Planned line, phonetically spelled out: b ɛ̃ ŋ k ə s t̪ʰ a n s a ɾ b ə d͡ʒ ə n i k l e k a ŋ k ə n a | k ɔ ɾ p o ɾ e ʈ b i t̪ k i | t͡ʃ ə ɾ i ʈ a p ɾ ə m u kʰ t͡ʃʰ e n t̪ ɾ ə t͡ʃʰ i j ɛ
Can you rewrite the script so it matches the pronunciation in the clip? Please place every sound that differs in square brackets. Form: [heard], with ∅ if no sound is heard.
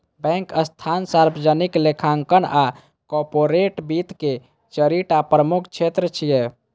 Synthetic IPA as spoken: b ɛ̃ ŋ k ə s t̪ʰ a n s a ɾ b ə d͡ʒ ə n i k l e [kʰ] a ŋ k ə n a | k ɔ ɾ p o ɾ e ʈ b i t̪ k [e] | t͡ʃ ə ɾ i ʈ a p ɾ ə m u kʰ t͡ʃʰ e [∅] t̪ ɾ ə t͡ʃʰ i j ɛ